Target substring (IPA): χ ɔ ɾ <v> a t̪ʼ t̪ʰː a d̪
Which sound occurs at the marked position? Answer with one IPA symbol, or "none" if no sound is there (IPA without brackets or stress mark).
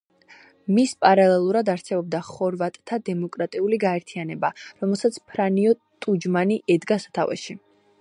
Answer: v